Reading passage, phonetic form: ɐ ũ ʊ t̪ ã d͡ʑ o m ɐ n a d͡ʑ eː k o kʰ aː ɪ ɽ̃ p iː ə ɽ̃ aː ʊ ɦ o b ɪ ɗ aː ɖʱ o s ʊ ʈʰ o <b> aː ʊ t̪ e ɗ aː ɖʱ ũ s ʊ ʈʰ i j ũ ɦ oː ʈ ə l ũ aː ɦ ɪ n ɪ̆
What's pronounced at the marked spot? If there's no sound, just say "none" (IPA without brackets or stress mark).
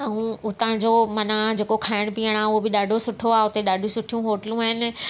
none